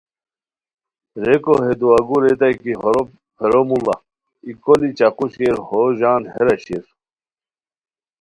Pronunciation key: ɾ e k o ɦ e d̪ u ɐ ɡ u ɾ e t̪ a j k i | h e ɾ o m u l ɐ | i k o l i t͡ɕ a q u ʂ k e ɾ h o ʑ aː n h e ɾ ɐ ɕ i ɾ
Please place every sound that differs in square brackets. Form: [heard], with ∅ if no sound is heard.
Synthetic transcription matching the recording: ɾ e k o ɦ e d̪ u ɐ ɡ u ɾ e t̪ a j k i | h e ɾ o m u l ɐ | i k o l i t͡ɕ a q u [ɕ] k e ɾ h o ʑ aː n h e ɾ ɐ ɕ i ɾ